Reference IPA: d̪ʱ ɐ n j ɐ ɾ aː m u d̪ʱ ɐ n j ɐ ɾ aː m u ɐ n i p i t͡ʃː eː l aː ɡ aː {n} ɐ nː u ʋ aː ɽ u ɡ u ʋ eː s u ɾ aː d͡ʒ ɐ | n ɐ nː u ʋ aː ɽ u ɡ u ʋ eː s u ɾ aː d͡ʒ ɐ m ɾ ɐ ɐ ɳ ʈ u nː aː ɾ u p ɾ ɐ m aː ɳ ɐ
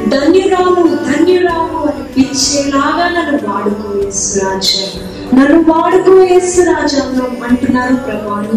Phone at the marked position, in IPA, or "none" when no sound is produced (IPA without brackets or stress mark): n